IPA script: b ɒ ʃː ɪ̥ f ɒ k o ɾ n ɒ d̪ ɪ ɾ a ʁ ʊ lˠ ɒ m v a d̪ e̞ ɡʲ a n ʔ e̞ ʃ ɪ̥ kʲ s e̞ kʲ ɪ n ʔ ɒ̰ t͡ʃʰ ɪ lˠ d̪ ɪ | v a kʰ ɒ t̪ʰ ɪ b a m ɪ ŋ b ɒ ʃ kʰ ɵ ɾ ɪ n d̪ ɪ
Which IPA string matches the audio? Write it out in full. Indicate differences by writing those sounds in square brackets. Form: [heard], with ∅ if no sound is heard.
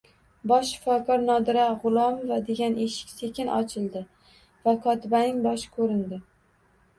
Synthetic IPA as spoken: b ɒ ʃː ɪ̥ f ɒ k [ɒ] ɾ n ɒ d̪ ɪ ɾ a ʁ ʊ lˠ ɒ m v a d̪ e̞ ɡʲ a n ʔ e̞ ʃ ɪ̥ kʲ s e̞ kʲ ɪ n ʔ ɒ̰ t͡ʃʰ ɪ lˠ d̪ ɪ | v a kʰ ɒ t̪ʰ ɪ b a [n] ɪ ŋ b ɒ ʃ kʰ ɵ ɾ ɪ n d̪ ɪ